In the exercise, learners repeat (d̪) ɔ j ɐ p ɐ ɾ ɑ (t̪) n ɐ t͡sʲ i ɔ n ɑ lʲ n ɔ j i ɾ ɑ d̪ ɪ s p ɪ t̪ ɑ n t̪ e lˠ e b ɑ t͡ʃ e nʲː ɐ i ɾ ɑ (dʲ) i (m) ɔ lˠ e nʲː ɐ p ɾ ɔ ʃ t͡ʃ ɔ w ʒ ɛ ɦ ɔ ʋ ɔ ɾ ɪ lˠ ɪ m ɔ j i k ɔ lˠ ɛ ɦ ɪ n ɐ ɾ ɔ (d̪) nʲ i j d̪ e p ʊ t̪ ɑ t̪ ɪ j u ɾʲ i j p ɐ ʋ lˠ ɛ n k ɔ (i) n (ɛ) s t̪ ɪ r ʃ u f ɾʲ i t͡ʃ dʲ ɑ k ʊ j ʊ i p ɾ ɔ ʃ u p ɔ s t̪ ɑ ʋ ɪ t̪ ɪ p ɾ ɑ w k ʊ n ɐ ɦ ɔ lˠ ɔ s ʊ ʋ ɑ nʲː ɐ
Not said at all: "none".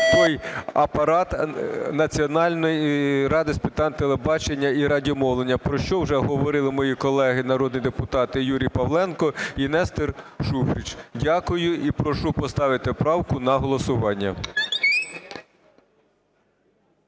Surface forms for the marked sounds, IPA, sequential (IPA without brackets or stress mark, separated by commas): t̪, t̪, dʲ, m, d̪, i, ɛ